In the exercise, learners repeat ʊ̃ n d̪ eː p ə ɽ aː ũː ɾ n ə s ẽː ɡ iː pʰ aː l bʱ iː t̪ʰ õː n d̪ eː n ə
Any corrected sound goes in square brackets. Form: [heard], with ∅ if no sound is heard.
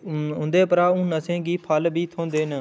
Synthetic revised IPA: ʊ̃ n d̪ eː p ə [ɾ] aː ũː [∅] n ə s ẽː ɡ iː pʰ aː l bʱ iː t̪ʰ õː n d̪ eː n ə